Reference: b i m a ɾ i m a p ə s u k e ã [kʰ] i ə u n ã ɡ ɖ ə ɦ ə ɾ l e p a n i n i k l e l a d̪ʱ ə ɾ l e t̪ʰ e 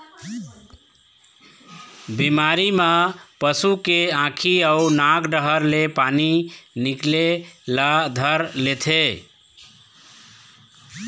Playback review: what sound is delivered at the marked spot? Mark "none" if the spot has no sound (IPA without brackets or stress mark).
kʰ